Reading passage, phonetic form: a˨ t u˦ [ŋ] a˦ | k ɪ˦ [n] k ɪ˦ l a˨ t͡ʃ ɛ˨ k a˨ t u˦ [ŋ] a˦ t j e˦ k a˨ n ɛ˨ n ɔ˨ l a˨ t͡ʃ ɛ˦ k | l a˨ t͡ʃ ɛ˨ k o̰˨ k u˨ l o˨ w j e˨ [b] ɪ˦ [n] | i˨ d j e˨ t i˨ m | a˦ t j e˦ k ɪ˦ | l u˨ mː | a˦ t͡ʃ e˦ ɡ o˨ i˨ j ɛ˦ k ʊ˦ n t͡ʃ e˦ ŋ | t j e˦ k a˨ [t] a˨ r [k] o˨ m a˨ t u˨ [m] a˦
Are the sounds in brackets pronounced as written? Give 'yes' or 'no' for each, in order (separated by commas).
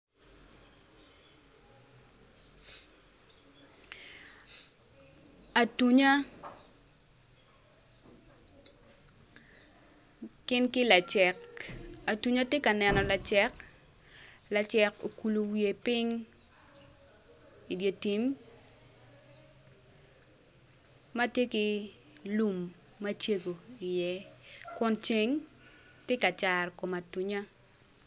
no, yes, no, no, no, no, yes, no